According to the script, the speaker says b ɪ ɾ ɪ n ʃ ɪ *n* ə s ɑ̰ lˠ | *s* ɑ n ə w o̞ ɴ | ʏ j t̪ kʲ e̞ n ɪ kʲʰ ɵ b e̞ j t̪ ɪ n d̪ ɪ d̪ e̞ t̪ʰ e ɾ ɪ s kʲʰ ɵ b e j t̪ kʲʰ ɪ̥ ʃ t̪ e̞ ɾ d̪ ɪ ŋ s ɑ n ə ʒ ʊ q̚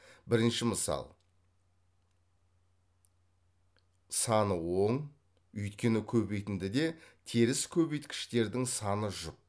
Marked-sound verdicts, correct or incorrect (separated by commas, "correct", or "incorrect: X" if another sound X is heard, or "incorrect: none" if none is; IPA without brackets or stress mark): incorrect: m, correct